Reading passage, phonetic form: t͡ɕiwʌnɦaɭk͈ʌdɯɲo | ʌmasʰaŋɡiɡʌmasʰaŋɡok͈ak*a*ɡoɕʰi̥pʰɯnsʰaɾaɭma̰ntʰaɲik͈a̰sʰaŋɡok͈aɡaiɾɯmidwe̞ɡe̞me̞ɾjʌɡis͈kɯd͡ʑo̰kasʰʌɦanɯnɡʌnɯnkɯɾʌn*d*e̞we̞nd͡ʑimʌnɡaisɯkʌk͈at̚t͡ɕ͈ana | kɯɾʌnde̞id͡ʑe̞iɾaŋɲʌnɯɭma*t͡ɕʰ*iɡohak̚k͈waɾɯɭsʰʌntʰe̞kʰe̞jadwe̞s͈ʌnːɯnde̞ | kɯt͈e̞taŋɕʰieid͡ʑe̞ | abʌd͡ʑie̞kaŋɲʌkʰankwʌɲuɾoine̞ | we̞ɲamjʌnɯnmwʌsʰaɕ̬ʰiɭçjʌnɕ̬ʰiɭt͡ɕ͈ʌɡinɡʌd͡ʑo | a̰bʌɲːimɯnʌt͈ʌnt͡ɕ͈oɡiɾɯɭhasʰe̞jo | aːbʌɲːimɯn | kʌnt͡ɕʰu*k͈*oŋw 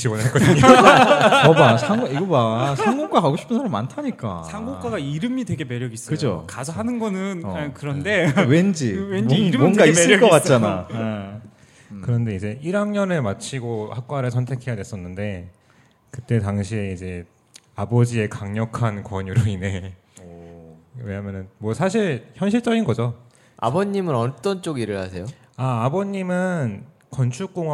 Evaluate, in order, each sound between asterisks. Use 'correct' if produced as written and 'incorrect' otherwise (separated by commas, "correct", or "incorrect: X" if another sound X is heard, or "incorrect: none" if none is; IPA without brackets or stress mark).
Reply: correct, correct, correct, correct